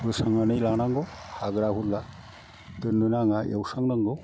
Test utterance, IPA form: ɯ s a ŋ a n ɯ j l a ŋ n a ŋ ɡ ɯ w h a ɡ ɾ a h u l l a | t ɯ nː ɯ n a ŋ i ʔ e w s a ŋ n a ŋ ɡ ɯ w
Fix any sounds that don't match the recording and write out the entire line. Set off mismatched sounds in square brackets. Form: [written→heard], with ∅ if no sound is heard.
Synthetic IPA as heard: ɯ s a ŋ a n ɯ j l a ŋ n a ŋ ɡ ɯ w h a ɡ ɾ a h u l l a | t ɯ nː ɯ n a ŋ [i→a] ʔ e w s a ŋ n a ŋ ɡ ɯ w